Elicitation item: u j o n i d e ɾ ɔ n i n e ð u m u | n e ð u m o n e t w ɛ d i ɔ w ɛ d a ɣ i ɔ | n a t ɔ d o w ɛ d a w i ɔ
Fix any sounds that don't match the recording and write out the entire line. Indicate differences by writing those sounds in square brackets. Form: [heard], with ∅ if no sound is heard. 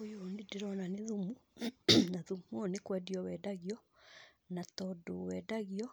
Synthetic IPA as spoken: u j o n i d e ɾ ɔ n [a] n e ð u m u | n [a] ð u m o n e [k] w ɛ d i ɔ w ɛ d a ɣ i ɔ | n a t ɔ d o w ɛ d a [ɣ] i ɔ